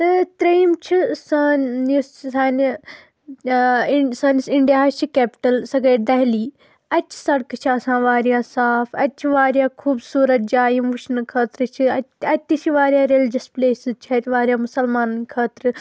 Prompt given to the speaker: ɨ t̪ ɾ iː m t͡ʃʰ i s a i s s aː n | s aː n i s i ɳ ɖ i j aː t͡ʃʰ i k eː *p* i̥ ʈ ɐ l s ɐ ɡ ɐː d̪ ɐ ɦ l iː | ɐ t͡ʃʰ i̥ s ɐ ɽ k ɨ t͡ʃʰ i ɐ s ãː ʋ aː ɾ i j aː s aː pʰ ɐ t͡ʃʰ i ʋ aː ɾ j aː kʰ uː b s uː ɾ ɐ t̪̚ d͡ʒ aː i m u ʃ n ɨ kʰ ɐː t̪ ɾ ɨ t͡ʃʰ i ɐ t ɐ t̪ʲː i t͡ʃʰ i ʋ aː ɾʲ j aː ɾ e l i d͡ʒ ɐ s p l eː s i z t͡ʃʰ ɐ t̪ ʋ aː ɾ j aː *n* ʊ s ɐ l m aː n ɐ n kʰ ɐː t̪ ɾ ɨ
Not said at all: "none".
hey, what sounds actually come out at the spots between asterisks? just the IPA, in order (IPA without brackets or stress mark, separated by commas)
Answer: p, m